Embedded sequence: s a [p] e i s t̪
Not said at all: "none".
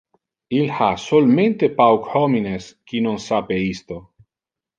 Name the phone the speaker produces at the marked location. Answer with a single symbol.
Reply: p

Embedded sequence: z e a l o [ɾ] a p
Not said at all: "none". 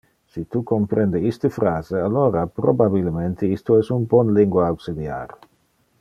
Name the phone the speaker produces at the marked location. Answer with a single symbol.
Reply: ɾ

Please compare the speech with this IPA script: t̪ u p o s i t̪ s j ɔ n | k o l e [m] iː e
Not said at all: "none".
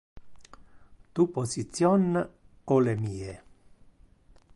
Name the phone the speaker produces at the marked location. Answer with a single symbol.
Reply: m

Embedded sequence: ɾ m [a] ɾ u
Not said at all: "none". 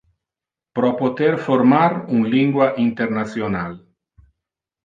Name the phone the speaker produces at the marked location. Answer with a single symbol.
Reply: a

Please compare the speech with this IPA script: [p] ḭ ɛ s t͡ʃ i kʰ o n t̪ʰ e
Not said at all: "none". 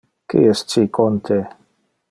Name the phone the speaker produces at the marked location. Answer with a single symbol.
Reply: k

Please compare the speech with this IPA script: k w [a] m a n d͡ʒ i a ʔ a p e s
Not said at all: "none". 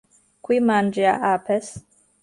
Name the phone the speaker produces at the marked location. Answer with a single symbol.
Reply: i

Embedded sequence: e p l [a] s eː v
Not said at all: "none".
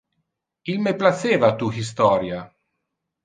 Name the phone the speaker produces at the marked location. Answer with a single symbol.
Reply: a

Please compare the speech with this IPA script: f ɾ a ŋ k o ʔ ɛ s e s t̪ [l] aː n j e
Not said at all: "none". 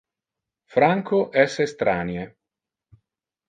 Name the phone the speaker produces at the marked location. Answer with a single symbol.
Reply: ɾ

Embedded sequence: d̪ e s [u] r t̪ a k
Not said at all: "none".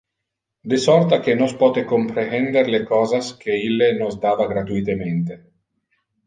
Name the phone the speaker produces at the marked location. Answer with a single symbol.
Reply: ɔ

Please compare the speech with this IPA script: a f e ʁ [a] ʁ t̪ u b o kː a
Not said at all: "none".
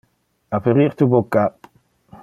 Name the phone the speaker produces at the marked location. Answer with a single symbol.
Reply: i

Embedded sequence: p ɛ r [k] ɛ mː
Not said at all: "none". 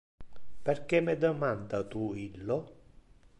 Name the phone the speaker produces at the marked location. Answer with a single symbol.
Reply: k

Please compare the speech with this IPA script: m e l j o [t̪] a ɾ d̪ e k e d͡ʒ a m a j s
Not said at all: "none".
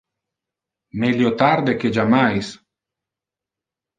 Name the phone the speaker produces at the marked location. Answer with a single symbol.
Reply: t̪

